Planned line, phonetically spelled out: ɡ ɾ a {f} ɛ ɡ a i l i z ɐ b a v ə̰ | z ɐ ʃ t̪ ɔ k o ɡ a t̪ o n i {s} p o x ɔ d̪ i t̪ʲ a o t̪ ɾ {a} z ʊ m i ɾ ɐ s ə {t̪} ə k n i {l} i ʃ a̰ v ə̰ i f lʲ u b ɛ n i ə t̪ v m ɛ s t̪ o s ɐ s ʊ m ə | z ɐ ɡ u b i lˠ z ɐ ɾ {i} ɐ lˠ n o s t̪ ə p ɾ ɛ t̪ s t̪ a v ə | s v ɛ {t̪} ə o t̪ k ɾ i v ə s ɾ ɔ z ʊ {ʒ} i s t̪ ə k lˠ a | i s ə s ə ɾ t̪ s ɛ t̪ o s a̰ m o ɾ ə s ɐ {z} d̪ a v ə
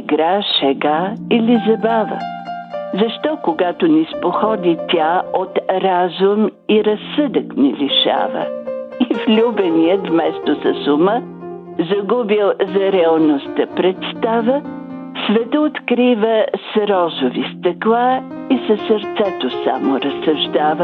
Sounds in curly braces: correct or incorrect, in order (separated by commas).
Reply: incorrect, correct, correct, incorrect, correct, incorrect, correct, incorrect, incorrect